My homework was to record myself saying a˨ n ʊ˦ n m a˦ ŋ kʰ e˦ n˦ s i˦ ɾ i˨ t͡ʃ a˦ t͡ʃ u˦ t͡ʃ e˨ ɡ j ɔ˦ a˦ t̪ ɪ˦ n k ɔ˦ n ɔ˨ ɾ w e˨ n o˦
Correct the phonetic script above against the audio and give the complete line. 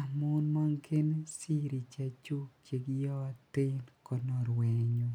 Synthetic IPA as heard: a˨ m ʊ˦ n m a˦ ŋ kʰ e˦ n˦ s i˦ ɾ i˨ t͡ʃ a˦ t͡ʃ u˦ t͡ʃ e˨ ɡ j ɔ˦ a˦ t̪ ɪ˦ n k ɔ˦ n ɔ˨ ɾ w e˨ ɲ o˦